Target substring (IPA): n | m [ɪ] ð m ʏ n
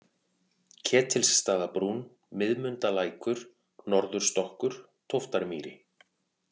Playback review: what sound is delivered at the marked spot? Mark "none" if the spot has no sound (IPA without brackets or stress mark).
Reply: ɪ